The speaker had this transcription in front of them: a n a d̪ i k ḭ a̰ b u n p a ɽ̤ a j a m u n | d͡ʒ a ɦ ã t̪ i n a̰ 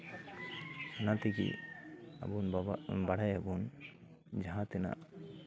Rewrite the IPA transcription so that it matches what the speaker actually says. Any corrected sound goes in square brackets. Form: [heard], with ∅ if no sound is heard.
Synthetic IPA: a n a [t̪] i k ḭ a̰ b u n [b] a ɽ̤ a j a [b] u n | d͡ʒ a ɦ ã t̪ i n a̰